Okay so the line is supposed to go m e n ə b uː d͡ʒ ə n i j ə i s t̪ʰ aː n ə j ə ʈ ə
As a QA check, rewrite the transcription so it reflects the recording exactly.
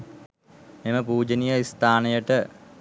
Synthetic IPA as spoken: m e m ə p uː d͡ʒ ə n i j ə i s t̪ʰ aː n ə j ə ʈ ə

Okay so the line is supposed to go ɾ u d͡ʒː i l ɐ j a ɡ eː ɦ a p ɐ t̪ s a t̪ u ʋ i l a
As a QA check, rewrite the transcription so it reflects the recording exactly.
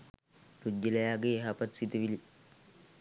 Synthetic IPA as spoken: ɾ u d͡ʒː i l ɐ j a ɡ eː ɦ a p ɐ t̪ s i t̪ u ʋ i l i

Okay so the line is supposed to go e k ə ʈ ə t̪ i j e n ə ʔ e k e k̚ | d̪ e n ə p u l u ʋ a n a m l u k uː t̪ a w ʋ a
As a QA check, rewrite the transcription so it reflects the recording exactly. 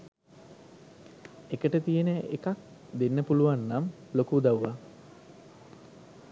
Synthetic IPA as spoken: e k ə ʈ ə t̪ i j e n ə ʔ e k a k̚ | d̪ e nː ə p u l u ʋ a nː a m l o k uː d̪ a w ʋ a

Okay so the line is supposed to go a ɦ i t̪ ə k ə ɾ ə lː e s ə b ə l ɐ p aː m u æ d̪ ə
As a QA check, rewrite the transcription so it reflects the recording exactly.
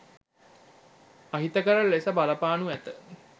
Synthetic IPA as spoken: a ɦ i t̪ ə k ə ɾ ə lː e s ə b a l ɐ p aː n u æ t̪ ə

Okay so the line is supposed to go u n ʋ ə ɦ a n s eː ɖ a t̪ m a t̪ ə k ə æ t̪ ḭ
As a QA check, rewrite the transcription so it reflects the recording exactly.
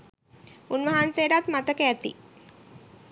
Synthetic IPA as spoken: u n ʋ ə ɦ a n s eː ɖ a t̪ m a t̪ ə k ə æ t̪ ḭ

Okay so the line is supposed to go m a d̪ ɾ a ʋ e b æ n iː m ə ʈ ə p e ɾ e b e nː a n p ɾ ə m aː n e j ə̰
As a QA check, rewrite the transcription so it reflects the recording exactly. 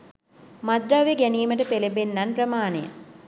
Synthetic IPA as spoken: m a d̪ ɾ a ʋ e ɡ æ n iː m ə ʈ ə p e l e b e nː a n p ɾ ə m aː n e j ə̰

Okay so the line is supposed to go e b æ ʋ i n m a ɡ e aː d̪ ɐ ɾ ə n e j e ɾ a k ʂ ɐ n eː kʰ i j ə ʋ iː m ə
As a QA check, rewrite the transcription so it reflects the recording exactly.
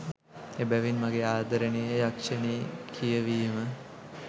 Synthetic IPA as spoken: e b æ ʋ i n m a ɡ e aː d̪ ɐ ɾ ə n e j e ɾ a k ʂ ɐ n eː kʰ i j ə ʋ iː m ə

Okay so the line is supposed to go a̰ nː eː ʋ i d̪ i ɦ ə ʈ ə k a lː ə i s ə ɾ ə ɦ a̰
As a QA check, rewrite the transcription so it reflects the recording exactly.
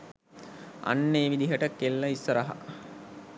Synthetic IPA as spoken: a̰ nː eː ʋ i d̪ i ɦ ə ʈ ə k e lː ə i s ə ɾ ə ɦ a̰

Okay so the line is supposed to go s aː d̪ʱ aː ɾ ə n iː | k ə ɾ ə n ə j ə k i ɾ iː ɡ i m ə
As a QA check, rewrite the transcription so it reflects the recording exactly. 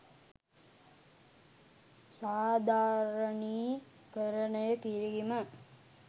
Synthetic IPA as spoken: s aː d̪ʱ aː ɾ ə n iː | k ə ɾ ə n ə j ə k i ɾ i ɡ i m ə

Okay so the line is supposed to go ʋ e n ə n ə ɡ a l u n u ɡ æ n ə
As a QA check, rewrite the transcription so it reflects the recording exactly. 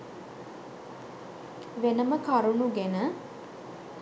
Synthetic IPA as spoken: ʋ e n ə m ə k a ɾ u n u ɡ e n ə

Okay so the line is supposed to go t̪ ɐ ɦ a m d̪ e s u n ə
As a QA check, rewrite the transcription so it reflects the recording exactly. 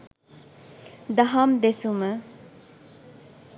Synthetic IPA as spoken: d̪ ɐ ɦ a m d̪ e s u m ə

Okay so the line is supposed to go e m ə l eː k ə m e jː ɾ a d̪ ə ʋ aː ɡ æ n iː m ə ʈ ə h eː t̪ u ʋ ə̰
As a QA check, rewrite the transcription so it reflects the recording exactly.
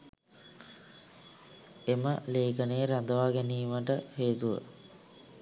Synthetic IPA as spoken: e m ə l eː k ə n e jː ɾ a d̪ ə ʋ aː ɡ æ n iː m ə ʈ ə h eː t̪ u ʋ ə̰

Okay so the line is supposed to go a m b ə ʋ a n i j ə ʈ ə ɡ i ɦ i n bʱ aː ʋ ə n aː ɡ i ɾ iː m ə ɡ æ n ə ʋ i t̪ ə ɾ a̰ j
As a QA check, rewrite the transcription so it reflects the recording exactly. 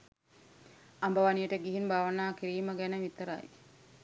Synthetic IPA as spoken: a m b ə ʋ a n i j ə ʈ ə ɡ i ɦ i n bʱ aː ʋ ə n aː k i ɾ iː m ə ɡ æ n ə ʋ i t̪ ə ɾ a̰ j

